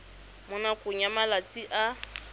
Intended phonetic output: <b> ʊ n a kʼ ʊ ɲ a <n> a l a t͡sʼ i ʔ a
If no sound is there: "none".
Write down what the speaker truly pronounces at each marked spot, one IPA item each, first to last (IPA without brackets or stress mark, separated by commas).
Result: m, m